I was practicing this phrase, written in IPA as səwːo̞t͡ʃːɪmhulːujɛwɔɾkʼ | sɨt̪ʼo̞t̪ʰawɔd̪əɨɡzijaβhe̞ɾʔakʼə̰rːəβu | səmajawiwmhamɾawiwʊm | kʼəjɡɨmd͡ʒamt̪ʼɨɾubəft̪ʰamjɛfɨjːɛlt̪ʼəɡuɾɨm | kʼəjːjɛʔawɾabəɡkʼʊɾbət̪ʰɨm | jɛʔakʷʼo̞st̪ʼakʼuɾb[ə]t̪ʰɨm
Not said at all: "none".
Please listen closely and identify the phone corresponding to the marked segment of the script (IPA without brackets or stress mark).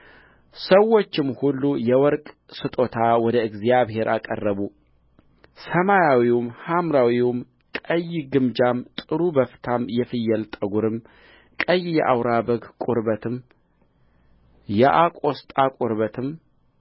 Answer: ə